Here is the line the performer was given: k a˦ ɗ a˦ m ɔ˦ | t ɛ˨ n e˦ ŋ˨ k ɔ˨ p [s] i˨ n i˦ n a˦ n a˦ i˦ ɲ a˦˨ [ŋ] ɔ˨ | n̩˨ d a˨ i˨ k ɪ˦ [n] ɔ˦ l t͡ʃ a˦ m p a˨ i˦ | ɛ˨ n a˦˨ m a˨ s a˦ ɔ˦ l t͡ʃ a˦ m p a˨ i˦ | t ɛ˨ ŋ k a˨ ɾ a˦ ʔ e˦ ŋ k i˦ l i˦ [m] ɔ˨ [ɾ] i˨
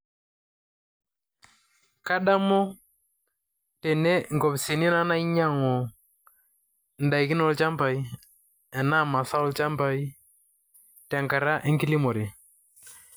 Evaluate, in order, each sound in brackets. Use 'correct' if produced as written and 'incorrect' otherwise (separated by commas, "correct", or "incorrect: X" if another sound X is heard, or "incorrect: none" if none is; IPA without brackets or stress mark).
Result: correct, correct, correct, correct, correct